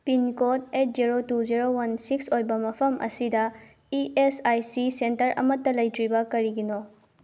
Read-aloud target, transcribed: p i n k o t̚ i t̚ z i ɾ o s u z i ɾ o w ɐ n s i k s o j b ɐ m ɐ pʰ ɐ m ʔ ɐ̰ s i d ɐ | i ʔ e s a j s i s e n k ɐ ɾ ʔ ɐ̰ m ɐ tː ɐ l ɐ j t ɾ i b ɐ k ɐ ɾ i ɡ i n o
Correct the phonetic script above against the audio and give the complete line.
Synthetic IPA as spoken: p i n k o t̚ e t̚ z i ɾ o t u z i ɾ o w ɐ n s i k s o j b ɐ m ɐ pʰ ɐ m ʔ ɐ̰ s i d ɐ | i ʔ e s a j s i s e n t ɐ ɾ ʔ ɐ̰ m ɐ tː ɐ l ɐ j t ɾ i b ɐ k ɐ ɾ i ɡ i n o